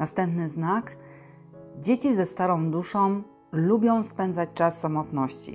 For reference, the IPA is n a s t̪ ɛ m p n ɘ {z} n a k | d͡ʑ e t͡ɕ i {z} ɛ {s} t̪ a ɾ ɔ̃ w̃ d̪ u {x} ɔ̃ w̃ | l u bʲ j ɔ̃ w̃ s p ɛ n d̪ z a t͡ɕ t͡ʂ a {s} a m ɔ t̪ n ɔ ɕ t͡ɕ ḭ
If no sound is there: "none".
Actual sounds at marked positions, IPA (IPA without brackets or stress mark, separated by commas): z, z, s, ʂ, sː